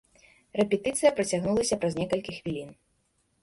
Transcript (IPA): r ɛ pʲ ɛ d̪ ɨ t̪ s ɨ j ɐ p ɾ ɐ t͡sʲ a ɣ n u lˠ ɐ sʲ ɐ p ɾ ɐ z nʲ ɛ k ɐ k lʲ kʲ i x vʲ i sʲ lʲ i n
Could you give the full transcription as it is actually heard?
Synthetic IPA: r ɛ pʲ ɛ t̪ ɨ t̪ s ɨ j ɐ p ɾ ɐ t͡sʲ a ɣ n u lˠ ɐ sʲ ɐ p ɾ ɐ z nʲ ɛ k ɐ lʲ kʲ i x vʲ i lʲ i n